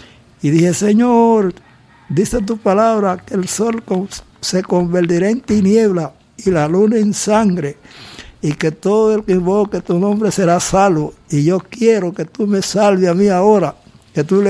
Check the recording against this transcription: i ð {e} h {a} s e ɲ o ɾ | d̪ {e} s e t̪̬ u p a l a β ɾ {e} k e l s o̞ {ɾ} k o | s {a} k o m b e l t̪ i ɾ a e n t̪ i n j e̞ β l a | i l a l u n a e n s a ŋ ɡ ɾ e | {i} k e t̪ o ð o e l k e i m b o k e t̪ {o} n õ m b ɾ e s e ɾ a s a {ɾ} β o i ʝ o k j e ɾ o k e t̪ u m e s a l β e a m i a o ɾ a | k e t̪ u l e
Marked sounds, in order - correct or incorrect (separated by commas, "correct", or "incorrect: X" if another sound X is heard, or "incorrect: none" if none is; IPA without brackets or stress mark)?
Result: incorrect: i, incorrect: e, incorrect: i, incorrect: a, incorrect: l, incorrect: e, correct, incorrect: u, incorrect: l